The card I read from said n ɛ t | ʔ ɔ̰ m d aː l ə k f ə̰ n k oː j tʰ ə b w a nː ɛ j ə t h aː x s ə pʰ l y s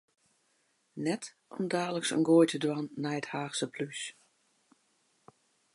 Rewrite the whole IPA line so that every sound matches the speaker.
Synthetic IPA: n ɛ t | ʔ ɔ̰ m d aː l ə k s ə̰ n ɡ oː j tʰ ə d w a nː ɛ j ə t h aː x s ə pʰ l y s